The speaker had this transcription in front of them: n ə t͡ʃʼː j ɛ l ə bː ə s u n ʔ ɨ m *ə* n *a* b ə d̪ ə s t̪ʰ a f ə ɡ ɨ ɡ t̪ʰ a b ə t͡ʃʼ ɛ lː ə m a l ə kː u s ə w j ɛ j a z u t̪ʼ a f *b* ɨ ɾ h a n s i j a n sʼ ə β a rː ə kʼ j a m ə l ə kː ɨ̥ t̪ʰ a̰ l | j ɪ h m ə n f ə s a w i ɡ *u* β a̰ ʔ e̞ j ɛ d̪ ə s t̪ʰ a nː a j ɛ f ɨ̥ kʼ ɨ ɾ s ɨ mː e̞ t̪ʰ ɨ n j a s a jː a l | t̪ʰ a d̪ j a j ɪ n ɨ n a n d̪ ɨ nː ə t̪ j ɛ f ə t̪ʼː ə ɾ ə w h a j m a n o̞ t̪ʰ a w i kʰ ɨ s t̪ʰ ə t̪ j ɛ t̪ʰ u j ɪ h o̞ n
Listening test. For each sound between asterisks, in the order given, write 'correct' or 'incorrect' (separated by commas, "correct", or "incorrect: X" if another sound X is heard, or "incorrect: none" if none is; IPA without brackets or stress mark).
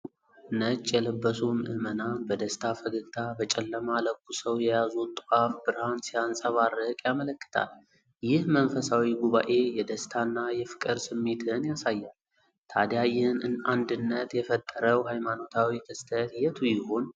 correct, correct, correct, correct